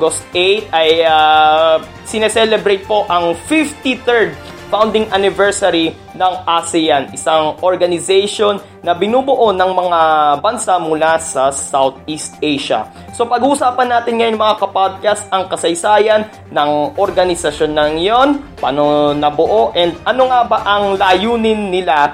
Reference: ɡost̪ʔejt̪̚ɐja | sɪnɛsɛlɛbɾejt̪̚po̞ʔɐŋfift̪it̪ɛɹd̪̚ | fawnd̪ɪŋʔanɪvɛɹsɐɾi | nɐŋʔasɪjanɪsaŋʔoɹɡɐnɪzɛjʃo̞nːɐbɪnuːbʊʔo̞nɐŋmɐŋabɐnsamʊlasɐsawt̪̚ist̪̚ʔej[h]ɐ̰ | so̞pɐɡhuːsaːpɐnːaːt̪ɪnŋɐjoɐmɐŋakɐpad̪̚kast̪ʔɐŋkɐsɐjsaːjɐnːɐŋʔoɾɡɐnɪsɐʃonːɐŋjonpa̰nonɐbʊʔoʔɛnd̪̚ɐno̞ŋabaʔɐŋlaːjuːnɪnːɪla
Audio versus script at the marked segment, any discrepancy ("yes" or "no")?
yes